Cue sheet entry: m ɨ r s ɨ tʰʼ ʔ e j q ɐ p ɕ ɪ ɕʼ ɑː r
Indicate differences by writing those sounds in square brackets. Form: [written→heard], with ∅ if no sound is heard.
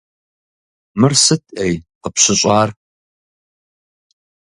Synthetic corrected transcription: m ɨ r s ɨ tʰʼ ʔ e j q [ɐ→ə] p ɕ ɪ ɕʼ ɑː r